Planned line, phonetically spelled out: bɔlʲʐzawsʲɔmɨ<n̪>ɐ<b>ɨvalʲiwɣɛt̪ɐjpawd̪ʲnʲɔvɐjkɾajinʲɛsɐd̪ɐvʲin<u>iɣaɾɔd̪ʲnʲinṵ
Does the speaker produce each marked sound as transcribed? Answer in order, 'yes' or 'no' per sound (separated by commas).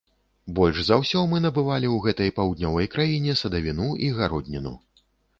yes, yes, yes